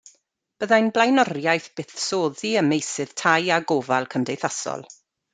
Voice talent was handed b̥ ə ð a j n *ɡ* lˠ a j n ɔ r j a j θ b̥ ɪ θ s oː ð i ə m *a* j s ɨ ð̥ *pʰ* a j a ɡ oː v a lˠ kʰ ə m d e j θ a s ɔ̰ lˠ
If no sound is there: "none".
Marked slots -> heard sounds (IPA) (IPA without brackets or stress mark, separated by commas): b, e, tʰ